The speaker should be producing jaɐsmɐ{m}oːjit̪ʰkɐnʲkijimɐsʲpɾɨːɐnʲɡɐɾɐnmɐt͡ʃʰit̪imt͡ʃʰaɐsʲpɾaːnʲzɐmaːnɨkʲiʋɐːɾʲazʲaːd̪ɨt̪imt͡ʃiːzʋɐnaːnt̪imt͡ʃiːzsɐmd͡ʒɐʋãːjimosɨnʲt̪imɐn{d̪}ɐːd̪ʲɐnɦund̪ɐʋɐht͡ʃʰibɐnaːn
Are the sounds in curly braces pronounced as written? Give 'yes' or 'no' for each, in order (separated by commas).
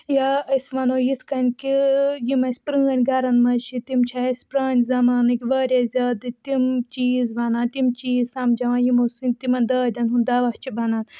no, yes